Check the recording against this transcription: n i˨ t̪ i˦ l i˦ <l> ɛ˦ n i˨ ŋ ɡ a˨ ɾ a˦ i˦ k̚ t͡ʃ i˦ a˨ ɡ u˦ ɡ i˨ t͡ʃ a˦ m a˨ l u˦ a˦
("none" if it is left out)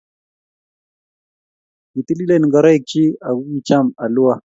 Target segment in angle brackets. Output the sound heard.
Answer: l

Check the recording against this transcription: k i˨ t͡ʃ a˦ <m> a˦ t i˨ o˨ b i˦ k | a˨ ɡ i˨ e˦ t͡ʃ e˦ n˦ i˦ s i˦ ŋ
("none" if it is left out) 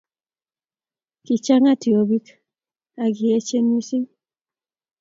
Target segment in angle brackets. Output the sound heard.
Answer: ŋ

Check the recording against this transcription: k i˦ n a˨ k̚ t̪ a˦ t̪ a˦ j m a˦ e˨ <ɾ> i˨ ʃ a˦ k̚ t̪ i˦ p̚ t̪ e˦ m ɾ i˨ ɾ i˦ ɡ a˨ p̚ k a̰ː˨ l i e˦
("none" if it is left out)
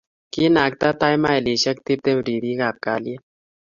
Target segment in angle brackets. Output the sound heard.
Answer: l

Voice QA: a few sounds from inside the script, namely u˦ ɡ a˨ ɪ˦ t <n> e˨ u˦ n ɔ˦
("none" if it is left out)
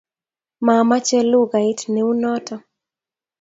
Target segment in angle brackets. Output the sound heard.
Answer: n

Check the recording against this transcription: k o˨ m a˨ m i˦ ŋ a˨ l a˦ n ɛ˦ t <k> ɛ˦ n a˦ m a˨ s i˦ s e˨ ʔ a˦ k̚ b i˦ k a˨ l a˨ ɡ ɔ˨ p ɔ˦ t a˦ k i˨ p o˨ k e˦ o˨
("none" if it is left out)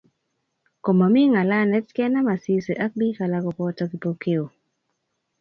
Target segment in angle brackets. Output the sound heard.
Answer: k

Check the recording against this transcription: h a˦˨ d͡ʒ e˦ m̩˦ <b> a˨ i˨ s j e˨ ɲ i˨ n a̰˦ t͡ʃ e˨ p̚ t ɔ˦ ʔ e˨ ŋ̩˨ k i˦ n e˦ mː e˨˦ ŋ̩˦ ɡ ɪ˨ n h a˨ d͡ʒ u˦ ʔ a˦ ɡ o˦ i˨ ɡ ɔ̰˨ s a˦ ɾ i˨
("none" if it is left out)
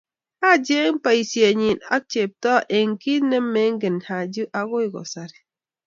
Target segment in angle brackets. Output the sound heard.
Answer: p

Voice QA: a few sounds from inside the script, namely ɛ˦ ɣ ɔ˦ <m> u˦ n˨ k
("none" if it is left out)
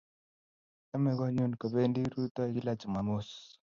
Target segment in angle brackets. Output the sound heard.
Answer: ɲ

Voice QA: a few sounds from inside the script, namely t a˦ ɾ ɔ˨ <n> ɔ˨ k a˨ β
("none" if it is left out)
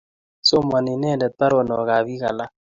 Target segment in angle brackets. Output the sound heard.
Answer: n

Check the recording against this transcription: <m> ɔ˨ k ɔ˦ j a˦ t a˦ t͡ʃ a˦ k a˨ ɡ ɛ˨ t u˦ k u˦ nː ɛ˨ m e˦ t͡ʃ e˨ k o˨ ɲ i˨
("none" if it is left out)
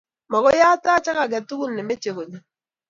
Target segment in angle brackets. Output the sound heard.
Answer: m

